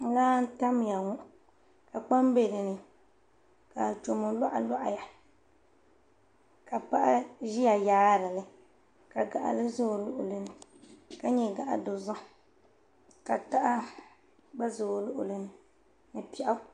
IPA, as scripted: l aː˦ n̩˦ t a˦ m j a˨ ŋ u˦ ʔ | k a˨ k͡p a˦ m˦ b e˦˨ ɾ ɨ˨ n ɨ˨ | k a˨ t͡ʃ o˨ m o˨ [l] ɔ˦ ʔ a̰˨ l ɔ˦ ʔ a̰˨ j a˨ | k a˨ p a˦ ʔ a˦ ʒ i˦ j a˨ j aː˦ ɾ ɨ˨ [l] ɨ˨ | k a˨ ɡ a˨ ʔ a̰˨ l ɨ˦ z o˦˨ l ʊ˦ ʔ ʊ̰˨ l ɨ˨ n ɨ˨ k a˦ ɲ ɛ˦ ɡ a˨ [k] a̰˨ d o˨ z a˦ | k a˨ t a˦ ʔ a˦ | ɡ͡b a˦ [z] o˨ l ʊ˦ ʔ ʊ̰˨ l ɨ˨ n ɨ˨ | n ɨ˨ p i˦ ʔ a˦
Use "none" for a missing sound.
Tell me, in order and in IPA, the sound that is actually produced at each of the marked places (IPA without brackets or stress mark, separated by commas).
l, l, ʔ, z